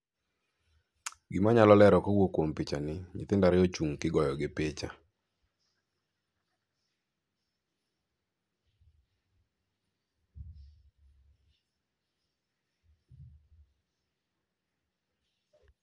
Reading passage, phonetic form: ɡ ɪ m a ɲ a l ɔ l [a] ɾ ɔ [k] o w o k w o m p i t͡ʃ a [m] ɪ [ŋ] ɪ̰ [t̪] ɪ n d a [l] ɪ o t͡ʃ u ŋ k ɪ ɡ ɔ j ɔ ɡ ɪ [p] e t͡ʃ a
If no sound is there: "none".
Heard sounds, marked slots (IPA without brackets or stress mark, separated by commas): ɛ, k, n, ɲ, t̪, ɾ, p